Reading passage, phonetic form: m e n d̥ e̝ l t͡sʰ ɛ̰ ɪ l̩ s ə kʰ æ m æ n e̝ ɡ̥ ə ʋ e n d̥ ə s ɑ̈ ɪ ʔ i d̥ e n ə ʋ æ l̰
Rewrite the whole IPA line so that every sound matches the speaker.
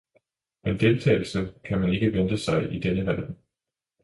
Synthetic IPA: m e n d̥ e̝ l t͡sʰ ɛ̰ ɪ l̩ s ə kʰ æ m æ n e̝ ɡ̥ ə ʋ e n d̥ ə s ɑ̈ ɪ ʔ i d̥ e n ə ʋ æ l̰